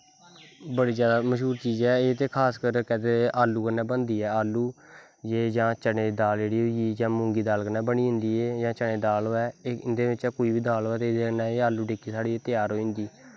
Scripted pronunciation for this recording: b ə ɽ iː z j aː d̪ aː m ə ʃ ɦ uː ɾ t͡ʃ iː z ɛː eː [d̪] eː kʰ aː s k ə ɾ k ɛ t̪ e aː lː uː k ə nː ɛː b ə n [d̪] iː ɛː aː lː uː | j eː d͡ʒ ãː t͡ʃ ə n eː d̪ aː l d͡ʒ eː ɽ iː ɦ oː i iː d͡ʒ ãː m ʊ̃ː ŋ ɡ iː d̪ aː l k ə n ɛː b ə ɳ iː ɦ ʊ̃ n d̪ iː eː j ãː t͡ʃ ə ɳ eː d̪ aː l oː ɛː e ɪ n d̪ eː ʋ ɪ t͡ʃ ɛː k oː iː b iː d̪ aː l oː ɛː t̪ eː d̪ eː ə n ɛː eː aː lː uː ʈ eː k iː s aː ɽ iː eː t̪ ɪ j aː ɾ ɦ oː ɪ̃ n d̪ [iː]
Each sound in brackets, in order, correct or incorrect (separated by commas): incorrect, correct, correct